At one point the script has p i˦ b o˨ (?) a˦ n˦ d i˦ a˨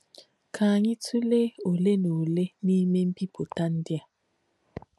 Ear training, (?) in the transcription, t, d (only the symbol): t